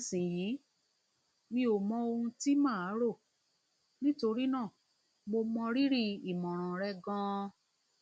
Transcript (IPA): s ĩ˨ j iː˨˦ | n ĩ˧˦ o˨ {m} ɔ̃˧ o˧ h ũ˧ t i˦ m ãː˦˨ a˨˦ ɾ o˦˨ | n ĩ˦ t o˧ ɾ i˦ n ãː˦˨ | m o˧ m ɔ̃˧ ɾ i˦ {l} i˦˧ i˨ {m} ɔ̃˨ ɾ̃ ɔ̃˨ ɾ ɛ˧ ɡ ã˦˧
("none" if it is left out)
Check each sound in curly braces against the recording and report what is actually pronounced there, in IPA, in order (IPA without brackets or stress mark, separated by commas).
m, ɾ, m